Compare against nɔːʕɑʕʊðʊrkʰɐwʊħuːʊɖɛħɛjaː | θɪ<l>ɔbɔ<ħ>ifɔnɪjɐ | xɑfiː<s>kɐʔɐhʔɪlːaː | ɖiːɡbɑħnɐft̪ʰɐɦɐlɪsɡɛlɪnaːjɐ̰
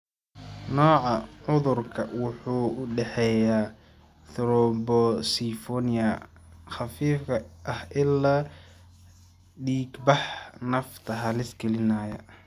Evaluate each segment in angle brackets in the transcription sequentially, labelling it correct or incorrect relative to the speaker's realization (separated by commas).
incorrect, incorrect, incorrect